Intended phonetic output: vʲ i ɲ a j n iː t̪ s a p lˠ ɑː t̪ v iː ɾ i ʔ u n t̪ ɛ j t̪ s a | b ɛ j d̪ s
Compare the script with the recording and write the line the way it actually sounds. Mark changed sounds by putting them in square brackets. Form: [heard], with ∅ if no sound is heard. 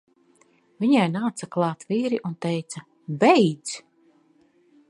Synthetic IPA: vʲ i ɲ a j n [aː] t̪ s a [k] lˠ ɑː t̪ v iː ɾ i ʔ u n t̪ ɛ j t̪ s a | b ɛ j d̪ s